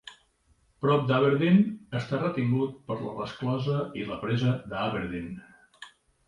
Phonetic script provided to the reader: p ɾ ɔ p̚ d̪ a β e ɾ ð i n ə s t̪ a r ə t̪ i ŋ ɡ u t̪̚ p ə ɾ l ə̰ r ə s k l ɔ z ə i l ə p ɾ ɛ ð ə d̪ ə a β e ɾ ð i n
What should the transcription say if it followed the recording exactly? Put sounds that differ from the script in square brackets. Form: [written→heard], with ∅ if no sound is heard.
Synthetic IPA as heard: p ɾ ɔ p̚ d̪ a β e ɾ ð i n ə s t̪ a r ə t̪ i ŋ ɡ u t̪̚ p ə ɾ l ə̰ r ə s k l ɔ z ə i l ə p ɾ ɛ [ð→z] ə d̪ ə a β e ɾ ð i n